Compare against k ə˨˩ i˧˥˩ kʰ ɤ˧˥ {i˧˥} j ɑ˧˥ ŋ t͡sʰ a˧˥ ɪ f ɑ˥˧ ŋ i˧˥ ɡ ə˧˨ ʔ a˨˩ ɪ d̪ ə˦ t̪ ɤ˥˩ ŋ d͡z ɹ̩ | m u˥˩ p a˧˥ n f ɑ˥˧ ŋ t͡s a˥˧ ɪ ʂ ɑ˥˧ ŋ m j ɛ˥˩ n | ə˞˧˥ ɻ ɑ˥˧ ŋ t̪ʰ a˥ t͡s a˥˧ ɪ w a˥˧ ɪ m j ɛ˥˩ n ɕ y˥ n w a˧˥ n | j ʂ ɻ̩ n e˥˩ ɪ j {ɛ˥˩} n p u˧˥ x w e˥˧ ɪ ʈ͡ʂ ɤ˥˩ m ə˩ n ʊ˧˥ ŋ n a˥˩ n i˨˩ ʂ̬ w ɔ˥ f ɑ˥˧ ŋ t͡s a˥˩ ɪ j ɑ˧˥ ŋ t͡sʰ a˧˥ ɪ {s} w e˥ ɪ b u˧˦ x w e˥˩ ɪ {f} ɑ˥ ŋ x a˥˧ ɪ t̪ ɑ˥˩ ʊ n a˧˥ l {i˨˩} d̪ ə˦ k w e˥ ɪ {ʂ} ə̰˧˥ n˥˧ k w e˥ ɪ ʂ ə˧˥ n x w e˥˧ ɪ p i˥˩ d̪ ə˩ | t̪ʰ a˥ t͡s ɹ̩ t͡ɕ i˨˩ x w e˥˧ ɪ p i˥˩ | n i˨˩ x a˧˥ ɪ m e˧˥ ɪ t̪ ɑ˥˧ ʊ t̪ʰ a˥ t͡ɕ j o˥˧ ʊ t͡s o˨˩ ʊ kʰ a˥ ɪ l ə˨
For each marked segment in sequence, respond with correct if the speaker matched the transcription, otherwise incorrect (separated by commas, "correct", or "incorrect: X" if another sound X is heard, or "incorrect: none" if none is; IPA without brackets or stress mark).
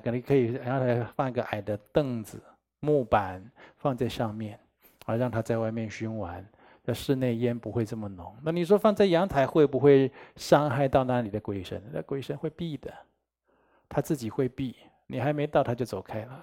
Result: incorrect: i˨˩, incorrect: ɛ˥, incorrect: x, incorrect: ʂ, correct, correct